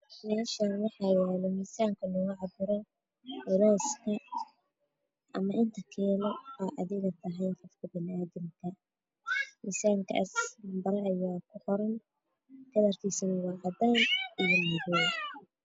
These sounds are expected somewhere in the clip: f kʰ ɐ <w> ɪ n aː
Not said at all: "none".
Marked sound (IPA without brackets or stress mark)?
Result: b